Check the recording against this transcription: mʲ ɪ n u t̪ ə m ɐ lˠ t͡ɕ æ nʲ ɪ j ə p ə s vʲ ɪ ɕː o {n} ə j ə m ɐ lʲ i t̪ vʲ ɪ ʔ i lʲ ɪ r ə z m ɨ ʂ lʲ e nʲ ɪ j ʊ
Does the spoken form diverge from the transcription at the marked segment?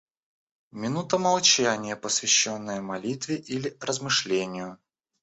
yes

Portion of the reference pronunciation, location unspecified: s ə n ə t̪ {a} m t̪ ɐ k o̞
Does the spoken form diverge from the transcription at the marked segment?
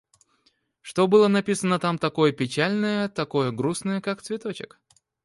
no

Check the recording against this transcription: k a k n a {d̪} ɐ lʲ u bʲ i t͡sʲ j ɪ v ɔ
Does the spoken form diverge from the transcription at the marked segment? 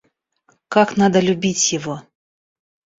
no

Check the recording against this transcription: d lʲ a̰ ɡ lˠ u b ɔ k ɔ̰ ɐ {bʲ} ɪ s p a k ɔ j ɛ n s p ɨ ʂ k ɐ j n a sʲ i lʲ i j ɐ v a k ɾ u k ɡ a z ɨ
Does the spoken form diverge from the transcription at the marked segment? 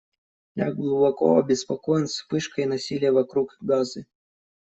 no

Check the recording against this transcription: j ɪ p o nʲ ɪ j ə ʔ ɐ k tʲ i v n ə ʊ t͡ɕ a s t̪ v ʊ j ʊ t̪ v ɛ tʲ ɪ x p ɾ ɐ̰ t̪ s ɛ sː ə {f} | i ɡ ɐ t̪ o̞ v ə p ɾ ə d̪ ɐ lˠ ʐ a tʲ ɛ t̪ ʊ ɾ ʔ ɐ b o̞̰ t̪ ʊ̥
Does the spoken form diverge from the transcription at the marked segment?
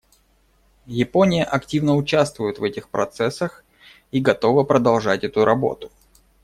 yes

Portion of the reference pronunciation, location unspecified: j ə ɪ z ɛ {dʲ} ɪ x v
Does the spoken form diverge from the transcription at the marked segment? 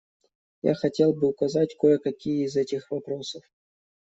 yes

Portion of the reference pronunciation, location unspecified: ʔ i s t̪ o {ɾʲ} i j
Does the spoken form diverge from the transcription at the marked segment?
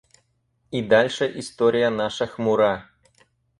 no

